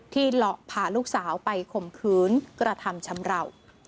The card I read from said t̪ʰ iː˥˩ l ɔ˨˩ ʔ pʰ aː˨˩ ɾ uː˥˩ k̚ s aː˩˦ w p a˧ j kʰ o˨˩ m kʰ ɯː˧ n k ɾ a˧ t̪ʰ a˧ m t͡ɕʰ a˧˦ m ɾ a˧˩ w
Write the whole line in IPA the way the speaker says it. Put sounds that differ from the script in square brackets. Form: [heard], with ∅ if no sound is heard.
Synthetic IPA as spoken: t̪ʰ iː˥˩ l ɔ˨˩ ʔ pʰ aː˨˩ [l] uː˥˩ k̚ s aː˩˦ w p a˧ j kʰ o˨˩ m kʰ [ɯː˦˥] n k ɾ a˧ t̪ʰ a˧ m t͡ɕʰ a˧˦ m ɾ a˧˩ w